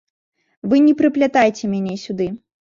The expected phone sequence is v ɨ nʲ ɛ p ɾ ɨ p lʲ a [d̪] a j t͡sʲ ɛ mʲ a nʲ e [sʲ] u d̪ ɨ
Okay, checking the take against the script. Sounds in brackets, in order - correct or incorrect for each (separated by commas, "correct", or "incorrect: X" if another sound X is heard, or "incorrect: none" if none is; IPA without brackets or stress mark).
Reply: incorrect: t̪, correct